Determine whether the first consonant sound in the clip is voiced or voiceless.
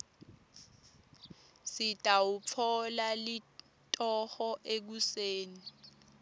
voiceless